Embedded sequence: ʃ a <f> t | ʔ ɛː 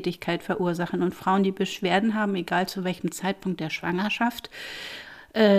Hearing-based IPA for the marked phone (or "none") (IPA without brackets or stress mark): f